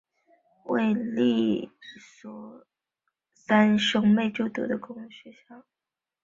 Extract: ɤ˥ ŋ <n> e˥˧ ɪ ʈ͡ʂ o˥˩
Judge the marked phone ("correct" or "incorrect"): incorrect